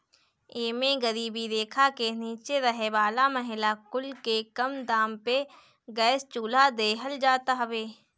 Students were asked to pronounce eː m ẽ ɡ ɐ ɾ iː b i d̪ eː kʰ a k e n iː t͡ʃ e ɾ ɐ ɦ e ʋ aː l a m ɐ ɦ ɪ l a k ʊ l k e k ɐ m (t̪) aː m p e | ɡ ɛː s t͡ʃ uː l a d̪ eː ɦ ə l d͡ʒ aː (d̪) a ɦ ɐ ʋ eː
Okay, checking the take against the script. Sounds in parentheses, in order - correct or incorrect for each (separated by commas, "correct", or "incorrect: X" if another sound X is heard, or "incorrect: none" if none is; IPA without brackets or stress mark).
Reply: incorrect: d̪, incorrect: t̪